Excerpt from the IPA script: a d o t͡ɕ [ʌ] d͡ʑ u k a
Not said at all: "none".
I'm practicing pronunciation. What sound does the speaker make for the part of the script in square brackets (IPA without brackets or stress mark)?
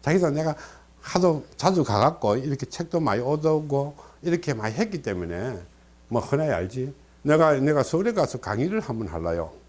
a